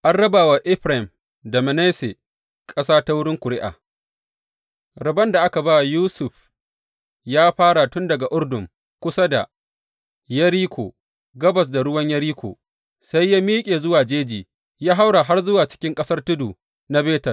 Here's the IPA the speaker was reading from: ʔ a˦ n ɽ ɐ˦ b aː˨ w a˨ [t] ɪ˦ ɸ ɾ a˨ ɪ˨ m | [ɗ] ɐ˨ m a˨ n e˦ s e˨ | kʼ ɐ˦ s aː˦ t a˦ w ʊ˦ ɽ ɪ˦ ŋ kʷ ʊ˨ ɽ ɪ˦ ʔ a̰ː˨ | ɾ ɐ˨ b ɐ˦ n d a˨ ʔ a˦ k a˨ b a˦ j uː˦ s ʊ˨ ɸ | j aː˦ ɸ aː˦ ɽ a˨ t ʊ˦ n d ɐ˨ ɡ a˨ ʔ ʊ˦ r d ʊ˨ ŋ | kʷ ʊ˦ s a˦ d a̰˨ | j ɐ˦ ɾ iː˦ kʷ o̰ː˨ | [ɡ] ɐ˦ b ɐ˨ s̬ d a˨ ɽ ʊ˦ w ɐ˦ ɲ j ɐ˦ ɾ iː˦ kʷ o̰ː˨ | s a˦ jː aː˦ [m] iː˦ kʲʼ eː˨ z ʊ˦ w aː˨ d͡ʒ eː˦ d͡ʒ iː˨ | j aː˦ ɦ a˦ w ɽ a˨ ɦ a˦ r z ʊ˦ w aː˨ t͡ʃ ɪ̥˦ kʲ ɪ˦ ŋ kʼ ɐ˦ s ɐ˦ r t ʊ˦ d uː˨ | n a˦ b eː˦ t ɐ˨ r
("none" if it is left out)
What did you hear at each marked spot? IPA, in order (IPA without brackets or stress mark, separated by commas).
ʔ, d, ɡ, m